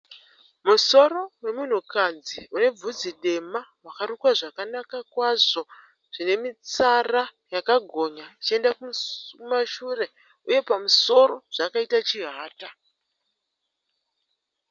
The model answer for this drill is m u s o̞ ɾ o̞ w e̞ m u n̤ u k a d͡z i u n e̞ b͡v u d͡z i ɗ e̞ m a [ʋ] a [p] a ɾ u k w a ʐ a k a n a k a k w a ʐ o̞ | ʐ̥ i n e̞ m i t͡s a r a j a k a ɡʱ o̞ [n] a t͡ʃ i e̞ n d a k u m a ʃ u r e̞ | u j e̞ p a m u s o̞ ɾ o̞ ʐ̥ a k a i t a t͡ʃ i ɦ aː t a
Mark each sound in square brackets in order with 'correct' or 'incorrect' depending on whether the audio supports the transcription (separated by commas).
incorrect, incorrect, incorrect